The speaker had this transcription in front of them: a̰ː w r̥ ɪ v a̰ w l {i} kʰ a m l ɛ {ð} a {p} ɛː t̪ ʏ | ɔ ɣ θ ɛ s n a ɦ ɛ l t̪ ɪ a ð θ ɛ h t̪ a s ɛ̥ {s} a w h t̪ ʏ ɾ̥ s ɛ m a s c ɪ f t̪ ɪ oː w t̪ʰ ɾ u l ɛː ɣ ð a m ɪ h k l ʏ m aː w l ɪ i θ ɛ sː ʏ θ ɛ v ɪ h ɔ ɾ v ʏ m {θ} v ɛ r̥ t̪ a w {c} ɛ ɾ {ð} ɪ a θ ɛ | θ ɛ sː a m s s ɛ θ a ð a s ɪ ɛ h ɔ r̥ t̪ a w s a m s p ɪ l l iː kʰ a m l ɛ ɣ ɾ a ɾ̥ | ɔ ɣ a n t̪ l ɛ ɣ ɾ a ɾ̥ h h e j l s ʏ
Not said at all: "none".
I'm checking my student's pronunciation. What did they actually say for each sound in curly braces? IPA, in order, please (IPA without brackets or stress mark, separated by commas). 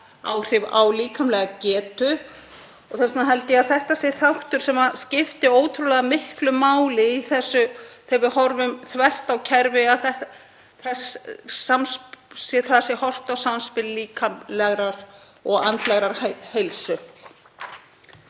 iː, ɣ, c, θ, θ, cʰ, v